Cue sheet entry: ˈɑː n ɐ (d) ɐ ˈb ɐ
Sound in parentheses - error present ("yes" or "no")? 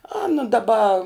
no